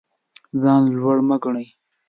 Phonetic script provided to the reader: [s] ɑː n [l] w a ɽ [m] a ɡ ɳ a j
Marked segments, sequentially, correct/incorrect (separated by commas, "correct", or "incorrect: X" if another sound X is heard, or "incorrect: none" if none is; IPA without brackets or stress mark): incorrect: z, correct, correct